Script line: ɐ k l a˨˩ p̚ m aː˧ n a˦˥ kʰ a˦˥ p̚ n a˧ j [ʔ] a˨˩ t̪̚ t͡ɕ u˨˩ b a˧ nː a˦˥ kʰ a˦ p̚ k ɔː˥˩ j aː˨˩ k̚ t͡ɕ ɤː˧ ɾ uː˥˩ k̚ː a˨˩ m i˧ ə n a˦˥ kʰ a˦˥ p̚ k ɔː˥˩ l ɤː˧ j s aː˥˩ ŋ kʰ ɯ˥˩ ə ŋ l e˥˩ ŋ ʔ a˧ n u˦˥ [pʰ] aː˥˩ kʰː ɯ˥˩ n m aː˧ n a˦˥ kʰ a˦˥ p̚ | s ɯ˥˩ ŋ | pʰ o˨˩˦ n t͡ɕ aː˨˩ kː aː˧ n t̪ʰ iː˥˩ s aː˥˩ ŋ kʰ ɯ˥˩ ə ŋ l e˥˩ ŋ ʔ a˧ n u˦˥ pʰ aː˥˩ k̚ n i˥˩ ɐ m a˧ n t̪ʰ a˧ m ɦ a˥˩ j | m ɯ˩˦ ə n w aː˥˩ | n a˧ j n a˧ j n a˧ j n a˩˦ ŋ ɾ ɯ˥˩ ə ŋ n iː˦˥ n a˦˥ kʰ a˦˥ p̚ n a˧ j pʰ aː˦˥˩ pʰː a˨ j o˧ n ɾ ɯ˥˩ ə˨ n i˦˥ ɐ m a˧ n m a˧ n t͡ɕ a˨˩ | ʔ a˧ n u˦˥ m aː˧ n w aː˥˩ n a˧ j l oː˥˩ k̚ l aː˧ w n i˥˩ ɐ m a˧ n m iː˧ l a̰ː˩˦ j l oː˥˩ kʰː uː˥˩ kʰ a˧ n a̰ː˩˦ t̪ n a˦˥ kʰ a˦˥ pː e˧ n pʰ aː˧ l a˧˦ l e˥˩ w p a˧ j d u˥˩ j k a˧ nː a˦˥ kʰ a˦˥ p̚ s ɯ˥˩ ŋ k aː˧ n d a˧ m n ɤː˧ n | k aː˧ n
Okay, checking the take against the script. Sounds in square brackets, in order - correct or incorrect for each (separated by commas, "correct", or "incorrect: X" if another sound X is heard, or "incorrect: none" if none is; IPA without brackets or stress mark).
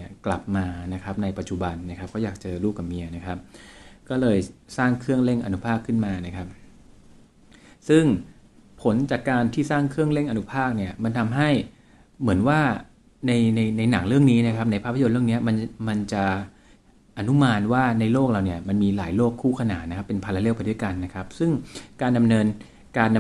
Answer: incorrect: p, correct